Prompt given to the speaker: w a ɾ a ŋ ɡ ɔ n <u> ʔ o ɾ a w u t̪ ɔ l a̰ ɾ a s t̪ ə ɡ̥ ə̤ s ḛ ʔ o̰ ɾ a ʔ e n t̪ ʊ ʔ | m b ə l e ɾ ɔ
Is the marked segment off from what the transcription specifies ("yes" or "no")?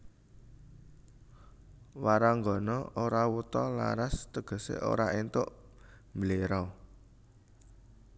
yes